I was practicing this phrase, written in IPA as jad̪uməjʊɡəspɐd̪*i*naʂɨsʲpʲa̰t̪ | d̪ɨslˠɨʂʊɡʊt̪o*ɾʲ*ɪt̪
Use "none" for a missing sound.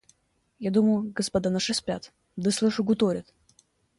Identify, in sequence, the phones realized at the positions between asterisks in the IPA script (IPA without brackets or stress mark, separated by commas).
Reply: a, ɾʲ